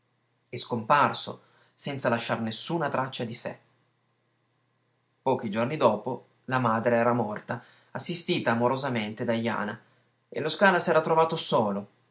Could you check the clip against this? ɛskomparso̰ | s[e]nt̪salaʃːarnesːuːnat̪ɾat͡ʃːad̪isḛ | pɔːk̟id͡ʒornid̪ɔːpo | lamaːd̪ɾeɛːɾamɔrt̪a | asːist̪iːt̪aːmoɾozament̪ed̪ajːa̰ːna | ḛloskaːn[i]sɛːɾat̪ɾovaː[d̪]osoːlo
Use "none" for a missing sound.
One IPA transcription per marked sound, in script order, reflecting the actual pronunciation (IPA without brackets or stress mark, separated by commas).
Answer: ɛ, a, t̪